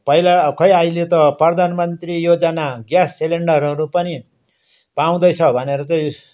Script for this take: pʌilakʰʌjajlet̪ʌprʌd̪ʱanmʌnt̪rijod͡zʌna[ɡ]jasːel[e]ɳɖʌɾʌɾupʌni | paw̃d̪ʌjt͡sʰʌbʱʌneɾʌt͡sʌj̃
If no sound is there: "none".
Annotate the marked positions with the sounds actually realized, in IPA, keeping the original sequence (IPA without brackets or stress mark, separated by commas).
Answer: ɡ, e